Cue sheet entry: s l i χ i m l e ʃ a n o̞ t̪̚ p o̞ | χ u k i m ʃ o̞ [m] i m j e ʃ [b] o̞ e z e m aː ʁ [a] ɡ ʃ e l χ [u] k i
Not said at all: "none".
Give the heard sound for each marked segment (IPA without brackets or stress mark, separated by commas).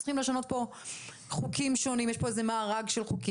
n, p, a, u